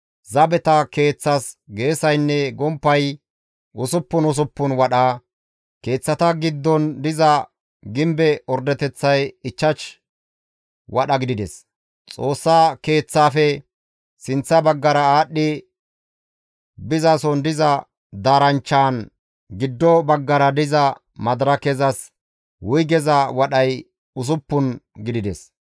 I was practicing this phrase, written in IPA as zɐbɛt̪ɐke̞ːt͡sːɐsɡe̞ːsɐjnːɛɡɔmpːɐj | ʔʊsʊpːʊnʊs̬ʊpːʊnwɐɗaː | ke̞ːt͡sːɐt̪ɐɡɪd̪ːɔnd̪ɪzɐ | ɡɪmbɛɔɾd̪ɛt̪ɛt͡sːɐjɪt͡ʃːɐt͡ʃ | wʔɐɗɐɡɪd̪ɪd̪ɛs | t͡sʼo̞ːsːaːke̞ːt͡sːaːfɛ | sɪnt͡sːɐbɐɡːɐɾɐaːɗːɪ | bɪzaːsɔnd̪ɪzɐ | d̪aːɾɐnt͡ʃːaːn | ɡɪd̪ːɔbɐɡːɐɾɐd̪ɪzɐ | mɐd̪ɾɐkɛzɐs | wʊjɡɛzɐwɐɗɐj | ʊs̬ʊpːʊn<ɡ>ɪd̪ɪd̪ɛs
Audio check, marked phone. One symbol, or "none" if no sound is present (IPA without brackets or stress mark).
ɡ